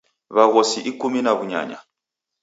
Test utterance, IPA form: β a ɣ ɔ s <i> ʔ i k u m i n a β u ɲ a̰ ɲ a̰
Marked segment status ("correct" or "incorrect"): correct